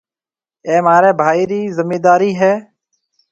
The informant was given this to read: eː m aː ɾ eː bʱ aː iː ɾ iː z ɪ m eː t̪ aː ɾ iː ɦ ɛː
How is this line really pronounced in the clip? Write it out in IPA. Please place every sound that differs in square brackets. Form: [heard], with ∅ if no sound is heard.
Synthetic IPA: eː m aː ɾ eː bʱ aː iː ɾ iː z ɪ m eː [d̪] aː ɾ iː ɦ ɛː